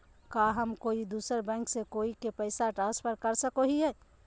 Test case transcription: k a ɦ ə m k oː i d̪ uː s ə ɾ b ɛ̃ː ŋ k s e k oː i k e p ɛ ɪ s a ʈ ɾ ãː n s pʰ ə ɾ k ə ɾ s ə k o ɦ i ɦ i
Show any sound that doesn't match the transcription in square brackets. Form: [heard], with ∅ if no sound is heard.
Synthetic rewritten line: k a ɦ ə m k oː i d̪ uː s ə ɾ b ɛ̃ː ŋ k s e k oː i k e p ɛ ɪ s a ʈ ɾ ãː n s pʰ ə ɾ k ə ɾ s ə k o ɦ i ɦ [ɛ]